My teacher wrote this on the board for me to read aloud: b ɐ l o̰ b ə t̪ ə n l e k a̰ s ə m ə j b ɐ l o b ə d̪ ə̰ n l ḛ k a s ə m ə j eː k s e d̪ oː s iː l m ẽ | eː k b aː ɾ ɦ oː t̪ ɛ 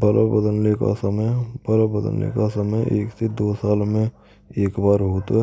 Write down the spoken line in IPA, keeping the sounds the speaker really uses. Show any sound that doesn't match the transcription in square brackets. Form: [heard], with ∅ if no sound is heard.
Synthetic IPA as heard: b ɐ l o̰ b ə [d̪] ə n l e k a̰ s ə m ə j b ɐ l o b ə d̪ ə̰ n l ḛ k a s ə m ə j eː k s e d̪ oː s [aː] l m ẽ | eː k b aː ɾ ɦ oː t̪ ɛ

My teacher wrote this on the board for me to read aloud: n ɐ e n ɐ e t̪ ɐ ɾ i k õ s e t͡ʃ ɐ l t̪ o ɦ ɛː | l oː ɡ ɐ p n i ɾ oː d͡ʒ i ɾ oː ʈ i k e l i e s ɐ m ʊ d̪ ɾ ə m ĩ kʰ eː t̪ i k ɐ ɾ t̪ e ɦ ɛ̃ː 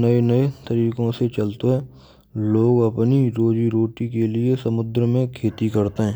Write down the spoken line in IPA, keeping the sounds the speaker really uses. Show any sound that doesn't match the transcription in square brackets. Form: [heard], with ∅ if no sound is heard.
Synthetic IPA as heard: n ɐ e n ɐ e t̪ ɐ ɾ [iː] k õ s e t͡ʃ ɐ l t̪ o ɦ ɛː | l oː ɡ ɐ p n i ɾ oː d͡ʒ i ɾ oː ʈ i k e l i e s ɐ m ʊ d̪ ɾ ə m [ẽ] kʰ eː t̪ i k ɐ ɾ t̪ e ɦ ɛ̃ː

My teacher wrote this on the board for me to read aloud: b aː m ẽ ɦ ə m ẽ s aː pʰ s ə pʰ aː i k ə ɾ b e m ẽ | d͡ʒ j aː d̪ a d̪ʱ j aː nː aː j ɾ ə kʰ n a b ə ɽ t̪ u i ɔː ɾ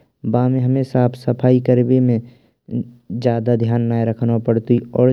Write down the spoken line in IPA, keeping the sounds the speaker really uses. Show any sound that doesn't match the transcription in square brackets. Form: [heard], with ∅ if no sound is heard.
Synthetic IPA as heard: b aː m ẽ ɦ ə m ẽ s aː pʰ s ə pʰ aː i k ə ɾ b e m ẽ | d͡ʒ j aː d̪ a d̪ʱ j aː nː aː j ɾ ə kʰ n a [p] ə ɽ t̪ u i ɔː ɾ

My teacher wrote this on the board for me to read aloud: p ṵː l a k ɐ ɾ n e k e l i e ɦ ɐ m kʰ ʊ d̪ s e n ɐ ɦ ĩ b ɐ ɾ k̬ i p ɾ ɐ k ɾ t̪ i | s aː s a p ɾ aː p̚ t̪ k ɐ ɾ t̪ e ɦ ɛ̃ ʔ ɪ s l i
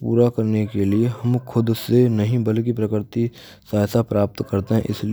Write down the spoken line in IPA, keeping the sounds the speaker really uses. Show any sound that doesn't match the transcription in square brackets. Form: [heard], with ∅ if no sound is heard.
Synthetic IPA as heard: p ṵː [ɾ] a k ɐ ɾ n e k e l i e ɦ ɐ m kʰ ʊ d̪ s e n ɐ ɦ ĩ b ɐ [l] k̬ i p ɾ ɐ k ɾ t̪ i | s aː s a p ɾ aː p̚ t̪ k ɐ ɾ t̪ e ɦ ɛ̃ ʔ ɪ s l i

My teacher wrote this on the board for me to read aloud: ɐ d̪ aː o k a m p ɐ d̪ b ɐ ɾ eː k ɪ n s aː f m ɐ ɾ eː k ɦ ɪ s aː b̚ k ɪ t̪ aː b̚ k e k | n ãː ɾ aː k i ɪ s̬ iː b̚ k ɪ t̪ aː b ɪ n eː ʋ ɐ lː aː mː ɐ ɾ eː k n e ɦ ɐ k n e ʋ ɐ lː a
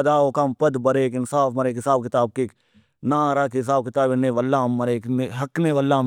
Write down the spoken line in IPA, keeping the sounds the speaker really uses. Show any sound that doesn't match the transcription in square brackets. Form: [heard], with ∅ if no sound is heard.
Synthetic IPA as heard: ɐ d̪ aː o k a m p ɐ d̪ b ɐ ɾ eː k ɪ n s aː f m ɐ ɾ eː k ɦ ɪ s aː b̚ k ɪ t̪ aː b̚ k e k | n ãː ɾ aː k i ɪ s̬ [aː] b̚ k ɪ t̪ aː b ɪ n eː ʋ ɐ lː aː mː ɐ ɾ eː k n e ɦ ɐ k n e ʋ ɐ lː a

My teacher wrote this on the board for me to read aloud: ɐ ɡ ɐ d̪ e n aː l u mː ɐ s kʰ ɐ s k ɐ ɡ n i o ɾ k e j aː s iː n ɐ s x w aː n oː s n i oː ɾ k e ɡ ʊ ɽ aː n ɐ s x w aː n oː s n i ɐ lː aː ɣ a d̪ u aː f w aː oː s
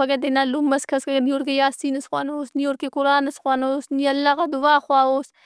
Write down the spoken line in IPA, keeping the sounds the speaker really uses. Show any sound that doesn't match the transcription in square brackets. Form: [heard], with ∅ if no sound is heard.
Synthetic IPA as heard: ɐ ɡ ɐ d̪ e n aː l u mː ɐ s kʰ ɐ s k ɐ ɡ n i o ɾ k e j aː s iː n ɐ s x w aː n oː s n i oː ɾ k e [k] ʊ [ɾ] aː n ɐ s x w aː n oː s n i ɐ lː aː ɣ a d̪ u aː [x] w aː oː s

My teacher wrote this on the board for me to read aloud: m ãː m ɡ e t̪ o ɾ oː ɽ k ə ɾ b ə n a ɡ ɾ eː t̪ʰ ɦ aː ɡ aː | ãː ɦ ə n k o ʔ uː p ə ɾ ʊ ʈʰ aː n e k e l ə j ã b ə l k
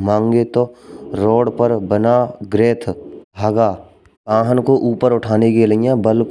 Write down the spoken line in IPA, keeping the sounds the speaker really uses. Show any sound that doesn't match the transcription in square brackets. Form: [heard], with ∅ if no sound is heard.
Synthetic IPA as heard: m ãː [ŋ] ɡ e t̪ o ɾ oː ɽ [p] ə ɾ b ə n a ɡ ɾ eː t̪ʰ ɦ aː ɡ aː | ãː ɦ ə n k o ʔ uː p ə ɾ ʊ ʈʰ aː n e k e l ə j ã b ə l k

